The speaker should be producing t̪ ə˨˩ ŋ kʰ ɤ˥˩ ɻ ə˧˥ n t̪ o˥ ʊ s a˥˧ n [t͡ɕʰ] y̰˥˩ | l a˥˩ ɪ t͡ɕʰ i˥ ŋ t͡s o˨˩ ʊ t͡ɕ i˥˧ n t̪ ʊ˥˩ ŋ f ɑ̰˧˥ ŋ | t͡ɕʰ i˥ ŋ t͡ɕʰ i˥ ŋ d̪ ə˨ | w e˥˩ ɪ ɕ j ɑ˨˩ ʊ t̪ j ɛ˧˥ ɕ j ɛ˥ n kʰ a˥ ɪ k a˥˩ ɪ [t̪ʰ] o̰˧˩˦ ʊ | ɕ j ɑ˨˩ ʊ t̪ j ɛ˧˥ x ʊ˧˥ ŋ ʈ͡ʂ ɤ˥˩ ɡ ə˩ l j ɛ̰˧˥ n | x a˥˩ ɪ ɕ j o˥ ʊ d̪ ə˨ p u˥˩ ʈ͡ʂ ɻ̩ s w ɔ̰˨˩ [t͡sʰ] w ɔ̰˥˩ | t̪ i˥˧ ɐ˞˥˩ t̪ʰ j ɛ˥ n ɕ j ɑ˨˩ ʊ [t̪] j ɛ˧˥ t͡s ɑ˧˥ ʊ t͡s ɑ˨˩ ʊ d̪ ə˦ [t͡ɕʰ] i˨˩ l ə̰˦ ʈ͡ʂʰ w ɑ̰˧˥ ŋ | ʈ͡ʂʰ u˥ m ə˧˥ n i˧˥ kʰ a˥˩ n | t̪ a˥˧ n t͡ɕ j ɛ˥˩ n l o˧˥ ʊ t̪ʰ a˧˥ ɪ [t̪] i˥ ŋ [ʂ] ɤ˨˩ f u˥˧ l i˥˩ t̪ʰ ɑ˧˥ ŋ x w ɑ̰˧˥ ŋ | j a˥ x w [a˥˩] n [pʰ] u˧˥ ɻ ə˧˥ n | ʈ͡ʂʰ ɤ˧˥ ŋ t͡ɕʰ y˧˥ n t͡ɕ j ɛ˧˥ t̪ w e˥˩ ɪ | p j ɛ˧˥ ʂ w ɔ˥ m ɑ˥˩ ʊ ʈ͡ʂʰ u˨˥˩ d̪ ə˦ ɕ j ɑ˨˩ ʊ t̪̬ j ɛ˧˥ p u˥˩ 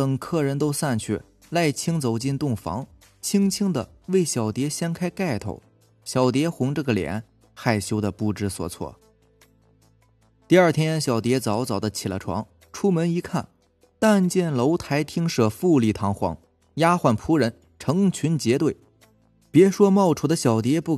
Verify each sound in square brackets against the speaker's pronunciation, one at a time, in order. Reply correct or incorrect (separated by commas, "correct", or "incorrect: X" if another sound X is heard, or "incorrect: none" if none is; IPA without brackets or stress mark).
correct, correct, correct, correct, correct, incorrect: t̪ʰ, correct, correct, correct